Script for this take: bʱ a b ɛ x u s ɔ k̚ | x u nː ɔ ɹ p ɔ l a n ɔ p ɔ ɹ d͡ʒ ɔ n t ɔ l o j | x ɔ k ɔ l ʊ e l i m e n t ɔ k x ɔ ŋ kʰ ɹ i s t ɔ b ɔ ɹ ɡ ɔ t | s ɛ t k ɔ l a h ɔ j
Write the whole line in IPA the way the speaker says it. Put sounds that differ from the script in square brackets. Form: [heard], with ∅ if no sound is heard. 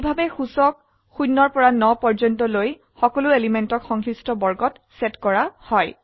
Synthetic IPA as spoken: bʱ a b ɛ x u s ɔ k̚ | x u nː ɔ ɹ p ɔ [ɹ] a n ɔ p ɔ ɹ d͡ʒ ɔ n t ɔ l o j | x ɔ k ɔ l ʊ e l i m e n t ɔ k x ɔ ŋ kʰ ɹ i s t ɔ b ɔ ɹ ɡ ɔ t | s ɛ t k ɔ [ɹ] a h ɔ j